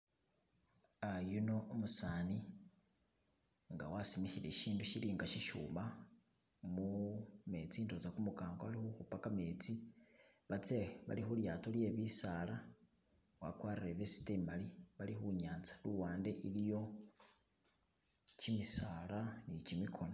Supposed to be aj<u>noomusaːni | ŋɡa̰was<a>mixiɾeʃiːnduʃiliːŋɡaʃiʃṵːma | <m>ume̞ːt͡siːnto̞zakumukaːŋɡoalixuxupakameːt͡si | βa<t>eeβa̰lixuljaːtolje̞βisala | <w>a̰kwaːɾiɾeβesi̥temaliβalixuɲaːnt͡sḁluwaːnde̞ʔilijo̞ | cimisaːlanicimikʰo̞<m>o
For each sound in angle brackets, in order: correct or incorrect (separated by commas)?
correct, incorrect, correct, incorrect, correct, incorrect